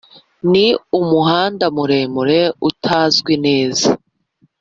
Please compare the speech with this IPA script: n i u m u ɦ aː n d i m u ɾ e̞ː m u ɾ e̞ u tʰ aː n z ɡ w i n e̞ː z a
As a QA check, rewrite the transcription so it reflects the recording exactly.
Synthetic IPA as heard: n i u m u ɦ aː n d a m u ɾ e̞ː m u ɾ e̞ u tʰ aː z ɡ w i n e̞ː z a